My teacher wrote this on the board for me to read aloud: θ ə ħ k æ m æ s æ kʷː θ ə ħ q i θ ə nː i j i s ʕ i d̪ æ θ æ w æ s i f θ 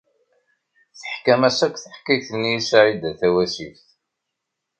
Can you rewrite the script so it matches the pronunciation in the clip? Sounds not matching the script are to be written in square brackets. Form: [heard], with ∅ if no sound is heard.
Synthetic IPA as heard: θ ə ħ k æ m æ s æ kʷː θ ə ħ [k] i θ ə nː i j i s ʕ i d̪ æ θ æ w æ s i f θ